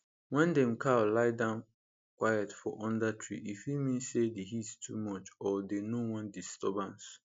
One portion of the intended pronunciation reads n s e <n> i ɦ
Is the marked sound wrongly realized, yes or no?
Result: yes